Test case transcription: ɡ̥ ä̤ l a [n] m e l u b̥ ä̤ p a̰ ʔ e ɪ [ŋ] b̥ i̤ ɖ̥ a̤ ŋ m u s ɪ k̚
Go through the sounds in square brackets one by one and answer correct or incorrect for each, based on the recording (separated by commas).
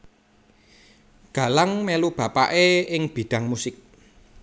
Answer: incorrect, correct